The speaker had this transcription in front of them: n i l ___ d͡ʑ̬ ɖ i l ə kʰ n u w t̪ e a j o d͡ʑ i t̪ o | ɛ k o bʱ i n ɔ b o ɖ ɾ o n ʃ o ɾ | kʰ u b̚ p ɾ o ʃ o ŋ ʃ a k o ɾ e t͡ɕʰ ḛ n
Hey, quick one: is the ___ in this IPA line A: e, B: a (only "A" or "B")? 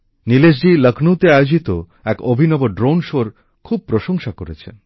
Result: A